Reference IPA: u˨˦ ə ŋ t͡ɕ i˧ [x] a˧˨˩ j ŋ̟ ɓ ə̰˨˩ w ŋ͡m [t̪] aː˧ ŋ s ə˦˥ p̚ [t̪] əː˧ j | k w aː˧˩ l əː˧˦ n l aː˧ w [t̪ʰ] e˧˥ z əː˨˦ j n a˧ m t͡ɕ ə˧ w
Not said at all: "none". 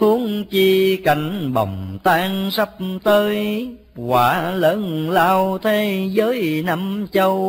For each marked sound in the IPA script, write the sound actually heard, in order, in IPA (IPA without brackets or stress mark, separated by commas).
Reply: k, t̪, t̪, t̪ʰ